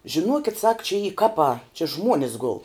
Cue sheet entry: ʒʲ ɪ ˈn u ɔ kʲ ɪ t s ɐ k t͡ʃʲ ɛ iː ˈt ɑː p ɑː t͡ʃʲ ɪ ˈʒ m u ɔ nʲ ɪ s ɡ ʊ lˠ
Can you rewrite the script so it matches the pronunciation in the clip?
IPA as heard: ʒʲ ɪ ˈn u ɔ kʲ ɪ t s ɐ k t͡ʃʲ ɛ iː ˈk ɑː p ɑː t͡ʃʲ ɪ ˈʒ m u ɔ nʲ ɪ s ɡ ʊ lˠ